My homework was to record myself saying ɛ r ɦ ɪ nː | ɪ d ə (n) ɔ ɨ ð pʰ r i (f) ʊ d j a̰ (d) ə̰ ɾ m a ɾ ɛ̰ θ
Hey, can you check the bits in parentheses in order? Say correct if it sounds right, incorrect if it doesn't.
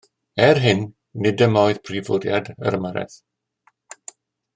incorrect, incorrect, correct

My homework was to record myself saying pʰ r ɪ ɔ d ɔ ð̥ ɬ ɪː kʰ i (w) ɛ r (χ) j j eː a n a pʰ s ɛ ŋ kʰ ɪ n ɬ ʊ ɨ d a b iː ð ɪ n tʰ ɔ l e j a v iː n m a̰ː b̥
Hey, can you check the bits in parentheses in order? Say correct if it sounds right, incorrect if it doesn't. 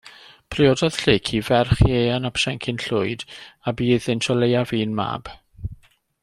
incorrect, correct

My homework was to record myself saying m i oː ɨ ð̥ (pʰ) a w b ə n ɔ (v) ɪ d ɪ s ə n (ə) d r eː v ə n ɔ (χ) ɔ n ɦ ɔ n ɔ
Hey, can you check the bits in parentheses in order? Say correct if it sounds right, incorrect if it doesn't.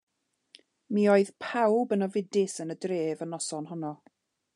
correct, correct, correct, incorrect

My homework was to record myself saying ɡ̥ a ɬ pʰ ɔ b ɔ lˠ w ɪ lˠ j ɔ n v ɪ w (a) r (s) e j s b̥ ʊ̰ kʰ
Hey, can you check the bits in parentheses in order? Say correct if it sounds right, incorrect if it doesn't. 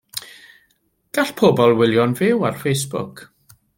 correct, incorrect

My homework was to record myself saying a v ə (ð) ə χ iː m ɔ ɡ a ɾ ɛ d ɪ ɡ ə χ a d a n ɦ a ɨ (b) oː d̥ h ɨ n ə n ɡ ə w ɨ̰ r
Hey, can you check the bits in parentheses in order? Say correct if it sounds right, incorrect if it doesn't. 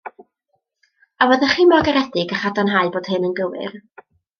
correct, correct

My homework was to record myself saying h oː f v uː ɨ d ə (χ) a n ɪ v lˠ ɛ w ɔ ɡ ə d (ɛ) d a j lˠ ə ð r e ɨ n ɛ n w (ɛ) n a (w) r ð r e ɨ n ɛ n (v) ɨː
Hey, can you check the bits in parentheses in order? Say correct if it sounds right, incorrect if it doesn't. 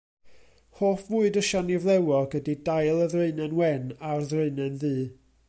incorrect, incorrect, correct, incorrect, incorrect

